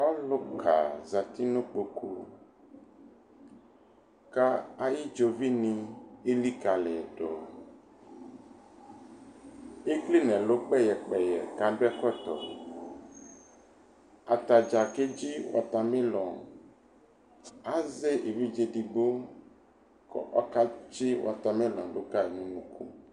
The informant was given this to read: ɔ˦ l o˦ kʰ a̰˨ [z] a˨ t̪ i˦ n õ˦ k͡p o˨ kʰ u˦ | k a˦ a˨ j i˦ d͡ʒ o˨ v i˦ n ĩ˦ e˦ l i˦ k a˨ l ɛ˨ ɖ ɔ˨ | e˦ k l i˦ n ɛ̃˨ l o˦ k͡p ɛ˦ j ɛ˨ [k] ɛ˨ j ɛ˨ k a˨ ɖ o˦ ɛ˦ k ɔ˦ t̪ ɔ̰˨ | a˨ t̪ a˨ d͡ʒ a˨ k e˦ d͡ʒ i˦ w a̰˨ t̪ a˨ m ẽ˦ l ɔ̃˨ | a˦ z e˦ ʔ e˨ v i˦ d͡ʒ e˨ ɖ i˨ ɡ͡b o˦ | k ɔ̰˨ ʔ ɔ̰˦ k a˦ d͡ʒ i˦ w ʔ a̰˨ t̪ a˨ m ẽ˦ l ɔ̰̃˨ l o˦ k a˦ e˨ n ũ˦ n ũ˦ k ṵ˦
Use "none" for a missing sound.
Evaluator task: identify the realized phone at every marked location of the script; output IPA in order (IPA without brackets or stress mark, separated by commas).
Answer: z, k͡p